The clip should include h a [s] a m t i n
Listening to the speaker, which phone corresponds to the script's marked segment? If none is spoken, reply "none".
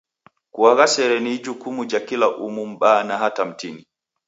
t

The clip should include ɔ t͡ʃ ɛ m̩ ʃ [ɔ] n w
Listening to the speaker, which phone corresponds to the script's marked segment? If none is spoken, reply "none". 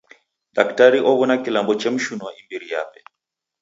u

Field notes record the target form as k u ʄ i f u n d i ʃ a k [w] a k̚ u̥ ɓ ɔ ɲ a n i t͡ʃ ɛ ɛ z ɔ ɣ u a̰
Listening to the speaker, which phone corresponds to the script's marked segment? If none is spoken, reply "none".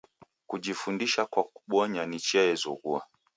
w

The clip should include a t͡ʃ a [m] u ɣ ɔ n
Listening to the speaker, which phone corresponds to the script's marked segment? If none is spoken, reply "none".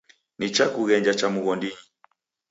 m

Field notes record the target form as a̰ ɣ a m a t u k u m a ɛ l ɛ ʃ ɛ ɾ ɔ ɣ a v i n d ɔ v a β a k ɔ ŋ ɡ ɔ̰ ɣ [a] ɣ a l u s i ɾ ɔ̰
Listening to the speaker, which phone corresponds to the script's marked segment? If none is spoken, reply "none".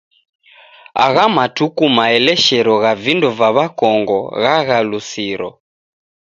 a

